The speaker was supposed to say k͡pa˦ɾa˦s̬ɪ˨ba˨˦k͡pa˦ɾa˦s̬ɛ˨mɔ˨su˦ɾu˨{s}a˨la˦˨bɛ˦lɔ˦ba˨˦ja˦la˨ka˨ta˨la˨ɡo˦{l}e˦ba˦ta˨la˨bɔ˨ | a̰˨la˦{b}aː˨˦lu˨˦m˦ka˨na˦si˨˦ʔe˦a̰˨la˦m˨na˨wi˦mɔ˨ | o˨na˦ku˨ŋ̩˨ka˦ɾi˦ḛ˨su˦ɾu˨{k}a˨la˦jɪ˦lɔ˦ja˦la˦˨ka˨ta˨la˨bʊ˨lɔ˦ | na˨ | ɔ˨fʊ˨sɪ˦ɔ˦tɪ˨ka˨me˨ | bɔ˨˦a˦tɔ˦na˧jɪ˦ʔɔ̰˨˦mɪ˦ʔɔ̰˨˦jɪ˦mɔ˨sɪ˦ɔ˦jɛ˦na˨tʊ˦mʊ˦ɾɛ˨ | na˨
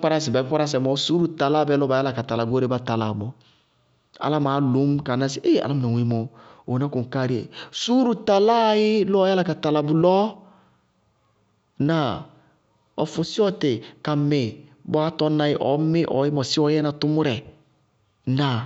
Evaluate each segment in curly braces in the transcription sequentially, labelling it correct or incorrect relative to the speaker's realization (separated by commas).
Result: incorrect, incorrect, incorrect, incorrect